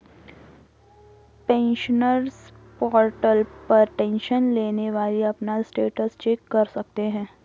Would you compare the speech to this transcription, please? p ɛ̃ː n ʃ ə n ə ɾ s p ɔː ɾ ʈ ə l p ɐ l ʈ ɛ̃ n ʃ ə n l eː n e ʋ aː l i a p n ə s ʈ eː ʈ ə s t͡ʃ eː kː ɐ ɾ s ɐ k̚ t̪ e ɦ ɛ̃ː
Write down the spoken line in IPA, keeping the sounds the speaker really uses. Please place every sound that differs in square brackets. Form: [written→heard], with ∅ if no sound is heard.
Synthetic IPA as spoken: p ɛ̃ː n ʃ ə n ə ɾ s p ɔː ɾ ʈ ə l p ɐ [l→ɾ] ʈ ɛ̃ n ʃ ə n l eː n e ʋ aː l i [a→ɐ] p n [ə→a] s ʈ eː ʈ ə s t͡ʃ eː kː ɐ ɾ s ɐ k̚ t̪ e ɦ ɛ̃ː